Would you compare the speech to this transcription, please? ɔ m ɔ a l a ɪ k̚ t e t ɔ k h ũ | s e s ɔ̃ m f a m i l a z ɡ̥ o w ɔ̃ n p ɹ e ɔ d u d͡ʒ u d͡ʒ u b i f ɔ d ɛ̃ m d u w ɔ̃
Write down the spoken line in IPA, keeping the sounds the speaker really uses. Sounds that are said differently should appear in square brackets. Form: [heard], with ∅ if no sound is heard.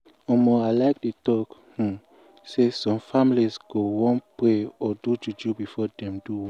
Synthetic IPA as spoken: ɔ m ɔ a l a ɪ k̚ [d] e t ɔ k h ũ | s e s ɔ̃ m f a m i l [i] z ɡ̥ o w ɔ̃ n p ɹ e ɔ d u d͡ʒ u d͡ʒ u b i f ɔ d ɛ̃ m d u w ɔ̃